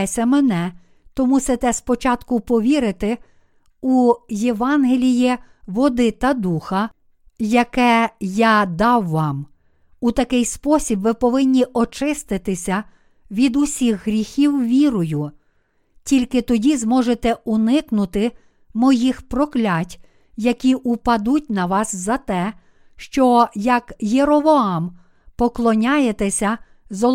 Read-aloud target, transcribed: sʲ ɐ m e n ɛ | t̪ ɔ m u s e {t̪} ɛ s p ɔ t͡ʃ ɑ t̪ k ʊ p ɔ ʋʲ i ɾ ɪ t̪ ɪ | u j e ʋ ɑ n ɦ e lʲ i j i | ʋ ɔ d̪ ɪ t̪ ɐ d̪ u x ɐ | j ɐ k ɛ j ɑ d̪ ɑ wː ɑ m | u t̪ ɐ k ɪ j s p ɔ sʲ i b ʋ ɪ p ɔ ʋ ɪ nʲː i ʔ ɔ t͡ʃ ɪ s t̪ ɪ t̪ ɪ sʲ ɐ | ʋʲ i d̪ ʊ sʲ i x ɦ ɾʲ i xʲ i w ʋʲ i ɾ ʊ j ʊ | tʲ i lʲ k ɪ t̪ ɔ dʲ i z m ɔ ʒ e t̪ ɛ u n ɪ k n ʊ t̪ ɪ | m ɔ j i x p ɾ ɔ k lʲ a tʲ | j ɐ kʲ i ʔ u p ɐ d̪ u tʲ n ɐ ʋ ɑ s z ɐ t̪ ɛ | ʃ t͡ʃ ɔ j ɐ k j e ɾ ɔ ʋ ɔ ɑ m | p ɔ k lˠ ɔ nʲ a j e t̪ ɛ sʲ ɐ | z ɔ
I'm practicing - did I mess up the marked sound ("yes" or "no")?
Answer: no